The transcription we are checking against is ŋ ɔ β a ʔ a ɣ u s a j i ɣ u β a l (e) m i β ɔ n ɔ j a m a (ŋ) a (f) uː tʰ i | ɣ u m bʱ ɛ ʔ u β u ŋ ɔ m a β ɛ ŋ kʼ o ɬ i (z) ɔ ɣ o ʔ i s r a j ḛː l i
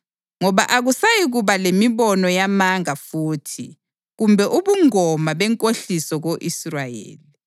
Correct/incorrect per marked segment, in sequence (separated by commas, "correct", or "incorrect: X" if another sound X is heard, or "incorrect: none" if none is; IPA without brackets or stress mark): correct, correct, correct, incorrect: s